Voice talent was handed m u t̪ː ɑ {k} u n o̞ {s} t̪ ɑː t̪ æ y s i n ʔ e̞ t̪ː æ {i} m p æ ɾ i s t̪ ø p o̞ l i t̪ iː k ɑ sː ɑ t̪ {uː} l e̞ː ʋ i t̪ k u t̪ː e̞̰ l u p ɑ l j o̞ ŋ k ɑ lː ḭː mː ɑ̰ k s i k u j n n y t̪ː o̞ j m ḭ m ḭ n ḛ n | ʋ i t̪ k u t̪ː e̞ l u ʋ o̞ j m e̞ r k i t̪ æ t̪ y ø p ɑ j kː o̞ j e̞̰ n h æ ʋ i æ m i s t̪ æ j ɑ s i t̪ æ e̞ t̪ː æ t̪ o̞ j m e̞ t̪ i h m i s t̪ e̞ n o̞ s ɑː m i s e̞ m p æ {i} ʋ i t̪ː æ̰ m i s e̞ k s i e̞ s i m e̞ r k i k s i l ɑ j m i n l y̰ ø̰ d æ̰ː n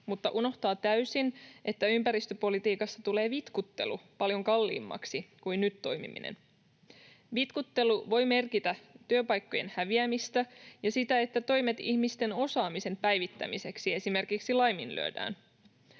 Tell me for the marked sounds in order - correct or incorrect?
incorrect: ʔ, incorrect: h, incorrect: y, incorrect: u, incorrect: j

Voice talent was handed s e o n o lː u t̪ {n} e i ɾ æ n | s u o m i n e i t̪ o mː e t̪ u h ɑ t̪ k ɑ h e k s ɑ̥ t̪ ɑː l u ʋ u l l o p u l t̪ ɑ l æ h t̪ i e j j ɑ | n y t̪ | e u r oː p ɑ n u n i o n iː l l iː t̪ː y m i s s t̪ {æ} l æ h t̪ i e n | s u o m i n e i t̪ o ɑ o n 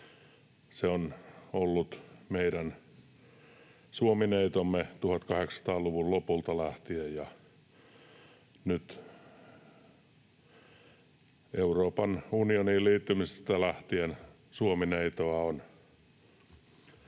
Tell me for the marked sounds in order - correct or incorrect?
incorrect: m, correct

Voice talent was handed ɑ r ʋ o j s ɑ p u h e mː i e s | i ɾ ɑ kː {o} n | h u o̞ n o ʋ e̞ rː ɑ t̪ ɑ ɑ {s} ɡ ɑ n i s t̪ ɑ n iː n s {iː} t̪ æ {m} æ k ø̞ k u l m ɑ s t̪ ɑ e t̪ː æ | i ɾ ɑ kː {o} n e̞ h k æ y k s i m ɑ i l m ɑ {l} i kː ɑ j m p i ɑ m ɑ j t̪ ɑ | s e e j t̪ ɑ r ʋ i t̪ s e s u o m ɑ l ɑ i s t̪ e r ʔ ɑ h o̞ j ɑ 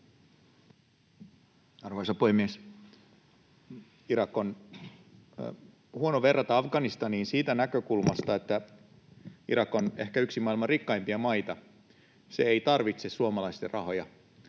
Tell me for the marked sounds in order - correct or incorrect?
correct, incorrect: f, correct, incorrect: n, correct, incorrect: r

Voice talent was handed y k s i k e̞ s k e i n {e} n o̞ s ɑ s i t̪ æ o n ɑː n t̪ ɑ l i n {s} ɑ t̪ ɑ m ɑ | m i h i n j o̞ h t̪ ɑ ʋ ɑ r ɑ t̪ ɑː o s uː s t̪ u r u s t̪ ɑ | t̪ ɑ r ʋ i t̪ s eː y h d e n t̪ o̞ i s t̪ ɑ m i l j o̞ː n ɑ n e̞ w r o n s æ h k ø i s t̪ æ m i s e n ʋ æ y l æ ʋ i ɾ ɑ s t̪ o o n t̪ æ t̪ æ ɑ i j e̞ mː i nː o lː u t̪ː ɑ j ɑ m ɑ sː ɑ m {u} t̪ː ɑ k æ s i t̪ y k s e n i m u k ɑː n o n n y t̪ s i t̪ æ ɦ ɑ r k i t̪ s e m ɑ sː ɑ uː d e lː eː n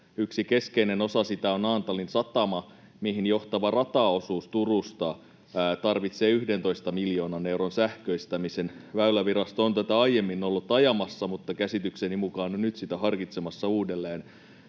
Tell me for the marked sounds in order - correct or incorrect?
correct, correct, correct

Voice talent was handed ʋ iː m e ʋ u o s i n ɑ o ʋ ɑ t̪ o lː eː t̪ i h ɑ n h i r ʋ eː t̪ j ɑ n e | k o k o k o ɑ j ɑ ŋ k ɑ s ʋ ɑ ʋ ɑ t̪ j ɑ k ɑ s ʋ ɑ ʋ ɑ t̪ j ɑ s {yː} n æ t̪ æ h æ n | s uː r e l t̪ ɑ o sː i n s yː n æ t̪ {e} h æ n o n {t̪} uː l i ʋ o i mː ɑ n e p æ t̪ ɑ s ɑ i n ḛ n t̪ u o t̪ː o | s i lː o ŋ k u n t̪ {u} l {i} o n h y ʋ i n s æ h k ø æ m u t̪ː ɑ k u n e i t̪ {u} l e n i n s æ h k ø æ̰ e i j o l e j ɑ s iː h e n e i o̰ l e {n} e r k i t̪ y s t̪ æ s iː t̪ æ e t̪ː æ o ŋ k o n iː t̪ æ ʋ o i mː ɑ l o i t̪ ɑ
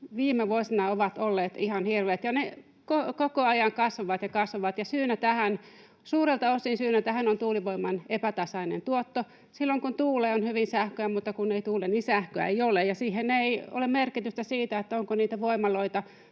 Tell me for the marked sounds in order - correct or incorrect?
correct, incorrect: æ, correct, incorrect: uː, incorrect: e, incorrect: uː, incorrect: m

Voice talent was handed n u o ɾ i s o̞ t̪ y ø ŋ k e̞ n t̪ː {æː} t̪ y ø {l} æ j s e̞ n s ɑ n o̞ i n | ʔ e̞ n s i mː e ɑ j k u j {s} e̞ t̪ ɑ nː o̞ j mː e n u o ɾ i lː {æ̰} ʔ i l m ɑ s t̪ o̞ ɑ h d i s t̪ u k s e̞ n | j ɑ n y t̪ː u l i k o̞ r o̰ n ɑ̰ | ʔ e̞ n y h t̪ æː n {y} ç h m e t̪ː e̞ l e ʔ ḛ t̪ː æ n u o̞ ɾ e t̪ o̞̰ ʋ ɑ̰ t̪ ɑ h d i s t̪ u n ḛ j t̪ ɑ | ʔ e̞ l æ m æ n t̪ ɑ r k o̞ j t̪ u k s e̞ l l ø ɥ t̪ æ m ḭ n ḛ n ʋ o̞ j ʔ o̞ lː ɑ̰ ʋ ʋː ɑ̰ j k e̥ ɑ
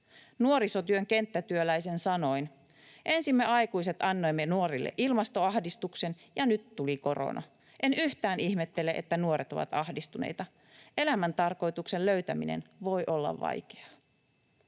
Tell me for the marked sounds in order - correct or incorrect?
incorrect: æ, correct, correct, incorrect: ḛ, incorrect: i

